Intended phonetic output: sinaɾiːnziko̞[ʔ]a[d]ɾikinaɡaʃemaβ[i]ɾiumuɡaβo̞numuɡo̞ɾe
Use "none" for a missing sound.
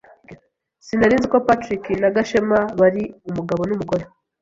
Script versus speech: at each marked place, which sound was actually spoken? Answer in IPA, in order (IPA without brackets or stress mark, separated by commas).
p, t, a